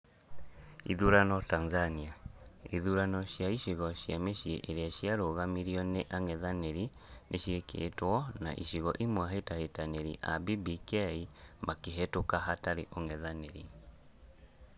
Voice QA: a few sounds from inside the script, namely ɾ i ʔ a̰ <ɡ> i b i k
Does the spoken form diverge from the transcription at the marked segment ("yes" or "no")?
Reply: yes